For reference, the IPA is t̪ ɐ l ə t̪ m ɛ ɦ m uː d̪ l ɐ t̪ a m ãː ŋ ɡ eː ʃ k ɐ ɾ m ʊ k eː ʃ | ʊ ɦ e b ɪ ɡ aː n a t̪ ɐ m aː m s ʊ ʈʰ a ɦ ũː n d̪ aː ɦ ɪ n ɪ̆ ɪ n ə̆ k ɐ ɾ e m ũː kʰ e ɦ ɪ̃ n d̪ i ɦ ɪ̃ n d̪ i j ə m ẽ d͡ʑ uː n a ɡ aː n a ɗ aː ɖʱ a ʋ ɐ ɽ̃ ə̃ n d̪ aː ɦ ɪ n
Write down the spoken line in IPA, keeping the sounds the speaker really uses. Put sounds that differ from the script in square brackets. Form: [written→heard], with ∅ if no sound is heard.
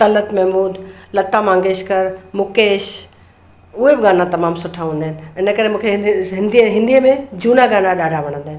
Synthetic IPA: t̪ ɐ l ə t̪ m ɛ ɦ m uː d̪ l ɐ t̪ a m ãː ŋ ɡ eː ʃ k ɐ ɾ m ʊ k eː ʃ | ʊ ɦ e b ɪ ɡ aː n a t̪ ɐ m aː m s ʊ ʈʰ a ɦ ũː n d̪ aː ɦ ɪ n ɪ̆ ɪ n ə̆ k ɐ ɾ e m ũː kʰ e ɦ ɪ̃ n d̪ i ɦ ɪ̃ n d̪ i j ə m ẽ d͡ʑ uː n a ɡ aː n a ɗ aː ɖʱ a ʋ ɐ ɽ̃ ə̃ n d̪ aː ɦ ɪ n